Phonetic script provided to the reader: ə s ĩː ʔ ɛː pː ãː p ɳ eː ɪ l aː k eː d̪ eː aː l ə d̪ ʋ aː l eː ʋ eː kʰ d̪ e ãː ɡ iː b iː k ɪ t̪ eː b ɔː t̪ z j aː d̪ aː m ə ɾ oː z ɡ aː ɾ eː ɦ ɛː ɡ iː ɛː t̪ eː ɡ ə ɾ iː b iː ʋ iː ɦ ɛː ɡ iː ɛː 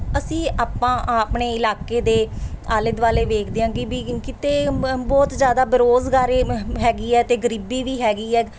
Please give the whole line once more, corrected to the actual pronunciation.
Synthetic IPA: ə s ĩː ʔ aː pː ãː p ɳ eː ɪ l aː k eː d̪ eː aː l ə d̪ ʋ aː l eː ʋ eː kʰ d̪ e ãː ɡ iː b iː k ɪ t̪ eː b ɔː t̪ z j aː d̪ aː b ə ɾ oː z ɡ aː ɾ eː ɦ ɛː ɡ iː ɛː t̪ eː ɡ ə ɾ iː b iː ʋ iː ɦ ɛː ɡ iː ɛː